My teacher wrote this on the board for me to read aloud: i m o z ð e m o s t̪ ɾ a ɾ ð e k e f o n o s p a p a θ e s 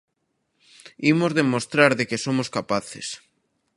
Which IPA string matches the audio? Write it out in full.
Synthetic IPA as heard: i m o z ð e m o s t̪ ɾ a ɾ ð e k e s o m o s k a p a θ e s